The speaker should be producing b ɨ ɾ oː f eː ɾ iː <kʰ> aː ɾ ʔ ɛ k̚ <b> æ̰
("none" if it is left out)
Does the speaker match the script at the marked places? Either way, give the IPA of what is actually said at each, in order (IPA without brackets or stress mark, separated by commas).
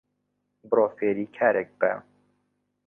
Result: kʰ, b